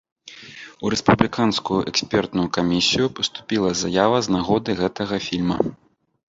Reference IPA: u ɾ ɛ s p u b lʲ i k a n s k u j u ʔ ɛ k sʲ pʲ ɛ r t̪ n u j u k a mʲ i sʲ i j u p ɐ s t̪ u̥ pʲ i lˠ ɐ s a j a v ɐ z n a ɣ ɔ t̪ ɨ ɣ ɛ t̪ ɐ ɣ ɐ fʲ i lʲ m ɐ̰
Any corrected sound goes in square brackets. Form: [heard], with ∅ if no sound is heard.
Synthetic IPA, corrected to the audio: u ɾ ɛ s p u b lʲ i k a n s k u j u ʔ ɛ k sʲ pʲ ɛ r t̪ n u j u k a mʲ i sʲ i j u p ɐ s t̪ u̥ pʲ i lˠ ɐ [z] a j a v ɐ z n a ɣ ɔ [d̪] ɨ ɣ ɛ t̪ ɐ ɣ ɐ fʲ i lʲ m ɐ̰